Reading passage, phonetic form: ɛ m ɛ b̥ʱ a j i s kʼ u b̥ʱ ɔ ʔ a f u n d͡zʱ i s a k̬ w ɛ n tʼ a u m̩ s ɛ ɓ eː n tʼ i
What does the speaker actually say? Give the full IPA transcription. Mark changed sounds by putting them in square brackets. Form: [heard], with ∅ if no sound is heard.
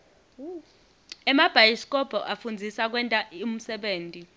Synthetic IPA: ɛ m [a] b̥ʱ a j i s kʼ [ɔ] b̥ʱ ɔ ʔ a f u n d͡zʱ i s a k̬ w ɛ n tʼ a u m̩ s ɛ ɓ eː n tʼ i